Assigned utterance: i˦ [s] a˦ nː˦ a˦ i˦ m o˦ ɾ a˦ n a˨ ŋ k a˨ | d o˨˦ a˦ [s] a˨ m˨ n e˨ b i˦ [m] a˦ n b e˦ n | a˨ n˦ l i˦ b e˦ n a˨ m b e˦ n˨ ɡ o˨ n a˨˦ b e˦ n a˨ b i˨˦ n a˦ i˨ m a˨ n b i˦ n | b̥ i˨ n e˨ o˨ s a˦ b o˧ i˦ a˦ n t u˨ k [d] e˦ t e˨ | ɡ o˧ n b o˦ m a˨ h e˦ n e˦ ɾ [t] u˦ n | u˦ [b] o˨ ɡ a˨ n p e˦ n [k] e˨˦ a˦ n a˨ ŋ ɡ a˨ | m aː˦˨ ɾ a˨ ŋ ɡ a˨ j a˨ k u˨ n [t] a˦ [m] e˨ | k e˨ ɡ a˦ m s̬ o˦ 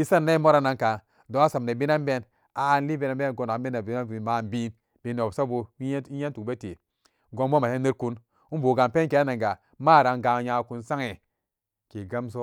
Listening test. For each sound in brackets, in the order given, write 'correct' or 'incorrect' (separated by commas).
correct, correct, incorrect, incorrect, incorrect, correct, correct, incorrect, incorrect